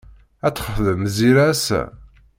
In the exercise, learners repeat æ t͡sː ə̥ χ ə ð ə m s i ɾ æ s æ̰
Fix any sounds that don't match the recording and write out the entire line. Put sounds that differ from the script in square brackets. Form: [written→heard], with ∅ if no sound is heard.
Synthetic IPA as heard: æ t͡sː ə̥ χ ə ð ə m [s→z] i ɾ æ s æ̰